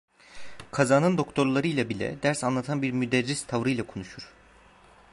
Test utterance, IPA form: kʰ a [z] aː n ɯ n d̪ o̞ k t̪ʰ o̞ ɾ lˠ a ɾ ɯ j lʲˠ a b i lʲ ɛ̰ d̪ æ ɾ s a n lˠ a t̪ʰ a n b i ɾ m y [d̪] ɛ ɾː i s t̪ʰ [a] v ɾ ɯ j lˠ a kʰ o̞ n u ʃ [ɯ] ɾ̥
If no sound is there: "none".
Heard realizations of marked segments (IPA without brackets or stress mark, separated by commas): z, d̪, a, u